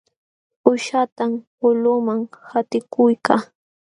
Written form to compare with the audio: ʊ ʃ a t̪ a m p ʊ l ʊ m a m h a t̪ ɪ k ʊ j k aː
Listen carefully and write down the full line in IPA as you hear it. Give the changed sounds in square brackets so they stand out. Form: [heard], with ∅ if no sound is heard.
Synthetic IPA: ʊ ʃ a t̪ a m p ʊ l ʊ m a [ŋ] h a t̪ ɪ k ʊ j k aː